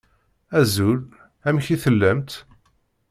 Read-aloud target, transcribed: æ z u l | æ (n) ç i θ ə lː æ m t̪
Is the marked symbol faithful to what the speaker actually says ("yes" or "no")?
no